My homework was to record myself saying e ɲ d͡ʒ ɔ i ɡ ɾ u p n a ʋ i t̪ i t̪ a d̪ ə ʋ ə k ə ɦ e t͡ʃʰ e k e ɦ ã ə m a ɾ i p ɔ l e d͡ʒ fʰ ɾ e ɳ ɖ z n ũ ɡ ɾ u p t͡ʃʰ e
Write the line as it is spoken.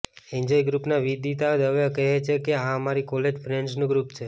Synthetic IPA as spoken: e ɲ d͡ʒ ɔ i ɡ ɾ u p n a ʋ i d̪ i t̪ a d̪ ə ʋ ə k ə ɦ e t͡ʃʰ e k e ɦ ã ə m a ɾ i k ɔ l e d͡ʒ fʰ ɾ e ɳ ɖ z n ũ ɡ ɾ u p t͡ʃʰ e